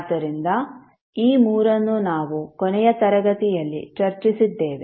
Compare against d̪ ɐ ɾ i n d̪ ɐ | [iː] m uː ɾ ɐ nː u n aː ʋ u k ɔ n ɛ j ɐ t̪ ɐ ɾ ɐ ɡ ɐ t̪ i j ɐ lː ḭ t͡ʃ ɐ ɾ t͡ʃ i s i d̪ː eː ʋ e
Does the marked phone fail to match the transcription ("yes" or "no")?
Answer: no